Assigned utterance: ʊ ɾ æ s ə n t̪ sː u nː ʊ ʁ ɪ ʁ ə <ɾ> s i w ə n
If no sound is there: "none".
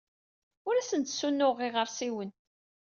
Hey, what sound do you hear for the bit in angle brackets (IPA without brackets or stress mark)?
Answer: ɾ